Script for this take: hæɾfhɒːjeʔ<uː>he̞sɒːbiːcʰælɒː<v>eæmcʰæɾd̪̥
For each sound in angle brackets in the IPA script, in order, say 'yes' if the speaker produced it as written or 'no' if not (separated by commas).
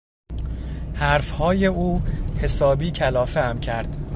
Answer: yes, no